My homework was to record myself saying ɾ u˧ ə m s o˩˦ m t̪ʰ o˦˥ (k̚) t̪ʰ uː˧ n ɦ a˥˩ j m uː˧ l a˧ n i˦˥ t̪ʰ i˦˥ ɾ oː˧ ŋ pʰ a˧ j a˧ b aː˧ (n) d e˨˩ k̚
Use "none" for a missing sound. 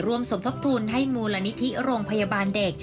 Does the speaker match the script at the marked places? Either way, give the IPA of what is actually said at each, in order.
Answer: p̚, n

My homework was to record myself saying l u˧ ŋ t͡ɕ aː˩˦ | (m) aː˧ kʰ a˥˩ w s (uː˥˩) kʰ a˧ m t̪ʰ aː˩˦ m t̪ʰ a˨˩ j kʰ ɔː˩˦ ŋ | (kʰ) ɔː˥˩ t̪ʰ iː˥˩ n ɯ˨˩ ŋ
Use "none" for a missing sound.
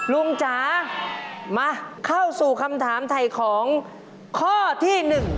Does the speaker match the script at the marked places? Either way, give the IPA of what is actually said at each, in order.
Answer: m, uː˨˩, kʰ

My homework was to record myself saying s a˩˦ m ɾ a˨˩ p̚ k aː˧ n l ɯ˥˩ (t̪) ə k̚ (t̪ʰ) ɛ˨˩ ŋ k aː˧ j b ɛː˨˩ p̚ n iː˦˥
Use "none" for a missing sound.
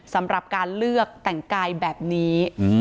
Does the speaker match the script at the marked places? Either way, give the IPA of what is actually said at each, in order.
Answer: none, t̪

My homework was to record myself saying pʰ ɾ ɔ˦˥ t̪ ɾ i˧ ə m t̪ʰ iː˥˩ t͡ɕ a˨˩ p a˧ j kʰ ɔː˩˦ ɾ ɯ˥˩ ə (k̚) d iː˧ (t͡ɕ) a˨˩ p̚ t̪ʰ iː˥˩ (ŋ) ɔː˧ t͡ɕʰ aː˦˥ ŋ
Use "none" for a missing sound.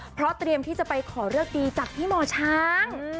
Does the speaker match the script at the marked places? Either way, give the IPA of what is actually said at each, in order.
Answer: k̚, t͡ɕ, m

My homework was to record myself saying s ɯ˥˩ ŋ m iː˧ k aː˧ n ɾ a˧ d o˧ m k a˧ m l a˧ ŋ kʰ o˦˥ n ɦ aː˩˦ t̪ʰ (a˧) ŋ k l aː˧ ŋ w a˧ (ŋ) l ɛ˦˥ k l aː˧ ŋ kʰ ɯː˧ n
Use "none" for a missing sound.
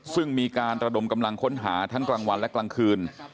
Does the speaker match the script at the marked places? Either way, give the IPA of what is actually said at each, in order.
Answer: a˦˥, n

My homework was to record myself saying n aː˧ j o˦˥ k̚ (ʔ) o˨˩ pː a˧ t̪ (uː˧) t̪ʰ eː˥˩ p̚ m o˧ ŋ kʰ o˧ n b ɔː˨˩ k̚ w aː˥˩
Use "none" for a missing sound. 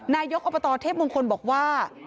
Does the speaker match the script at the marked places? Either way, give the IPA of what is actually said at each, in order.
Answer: ʔ, ɔː˧

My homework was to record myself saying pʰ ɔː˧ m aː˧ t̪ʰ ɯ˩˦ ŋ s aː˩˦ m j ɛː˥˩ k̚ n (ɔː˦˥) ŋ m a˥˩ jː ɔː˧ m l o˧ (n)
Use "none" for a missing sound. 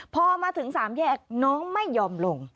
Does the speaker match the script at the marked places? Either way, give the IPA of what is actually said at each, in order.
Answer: ɔː˦˥, ŋ

